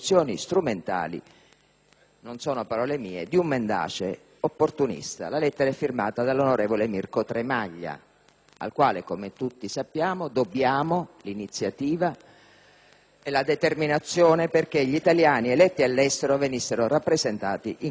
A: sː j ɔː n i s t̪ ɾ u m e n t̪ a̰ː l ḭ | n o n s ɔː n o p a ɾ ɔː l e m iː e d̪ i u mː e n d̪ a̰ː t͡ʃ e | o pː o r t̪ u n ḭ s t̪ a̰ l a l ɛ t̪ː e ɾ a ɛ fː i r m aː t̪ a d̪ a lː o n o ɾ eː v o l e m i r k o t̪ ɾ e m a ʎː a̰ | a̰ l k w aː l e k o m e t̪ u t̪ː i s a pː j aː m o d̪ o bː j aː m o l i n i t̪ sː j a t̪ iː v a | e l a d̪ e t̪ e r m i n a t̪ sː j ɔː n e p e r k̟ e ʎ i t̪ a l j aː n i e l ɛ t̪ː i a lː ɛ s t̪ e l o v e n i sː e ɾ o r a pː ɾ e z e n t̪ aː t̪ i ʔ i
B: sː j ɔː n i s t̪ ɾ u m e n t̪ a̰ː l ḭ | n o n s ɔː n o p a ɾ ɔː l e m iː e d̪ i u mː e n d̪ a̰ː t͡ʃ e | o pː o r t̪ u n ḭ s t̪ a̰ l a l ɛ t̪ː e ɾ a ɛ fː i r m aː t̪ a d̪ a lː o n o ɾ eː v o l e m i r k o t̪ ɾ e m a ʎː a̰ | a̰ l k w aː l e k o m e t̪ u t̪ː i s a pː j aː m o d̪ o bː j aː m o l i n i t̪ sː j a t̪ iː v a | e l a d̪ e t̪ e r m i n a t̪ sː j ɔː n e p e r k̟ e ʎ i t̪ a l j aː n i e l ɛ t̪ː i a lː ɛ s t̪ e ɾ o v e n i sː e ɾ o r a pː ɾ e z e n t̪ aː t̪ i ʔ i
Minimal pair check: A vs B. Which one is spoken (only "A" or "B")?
B